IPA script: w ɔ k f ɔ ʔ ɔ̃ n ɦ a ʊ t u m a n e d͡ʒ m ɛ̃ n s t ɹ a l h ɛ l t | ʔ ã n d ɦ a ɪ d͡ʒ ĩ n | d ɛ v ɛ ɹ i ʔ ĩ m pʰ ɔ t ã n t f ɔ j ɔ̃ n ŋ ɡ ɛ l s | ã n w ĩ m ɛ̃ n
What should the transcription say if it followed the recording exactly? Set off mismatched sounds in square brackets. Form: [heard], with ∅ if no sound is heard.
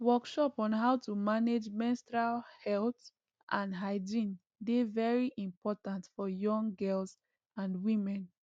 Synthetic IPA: w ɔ k [ʃ] ɔ [p] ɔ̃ n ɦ a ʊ t u m a n e d͡ʒ m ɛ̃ n s t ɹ a l h ɛ l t | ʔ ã n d ɦ a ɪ d͡ʒ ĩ n | d [e] v ɛ ɹ i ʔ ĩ m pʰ ɔ t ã n t f ɔ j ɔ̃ [∅] ŋ ɡ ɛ l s | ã n w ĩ m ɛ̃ n